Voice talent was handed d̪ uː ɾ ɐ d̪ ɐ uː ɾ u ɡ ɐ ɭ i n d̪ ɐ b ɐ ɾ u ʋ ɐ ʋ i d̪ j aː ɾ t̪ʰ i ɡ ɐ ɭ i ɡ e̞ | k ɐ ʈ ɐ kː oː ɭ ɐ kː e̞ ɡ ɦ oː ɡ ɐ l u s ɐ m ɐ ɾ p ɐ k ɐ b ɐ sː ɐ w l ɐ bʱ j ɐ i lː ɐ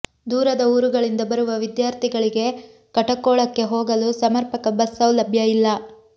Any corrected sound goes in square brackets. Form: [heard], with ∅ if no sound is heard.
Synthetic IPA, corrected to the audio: d̪ uː ɾ ɐ d̪ ɐ uː ɾ u ɡ ɐ ɭ i n d̪ ɐ b ɐ ɾ u ʋ ɐ ʋ i d̪ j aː ɾ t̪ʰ i ɡ ɐ ɭ i ɡ e̞ | k ɐ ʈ ɐ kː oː ɭ ɐ kː e̞ [∅] ɦ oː ɡ ɐ l u s ɐ m ɐ ɾ p ɐ k ɐ b ɐ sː ɐ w l ɐ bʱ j ɐ i lː ɐ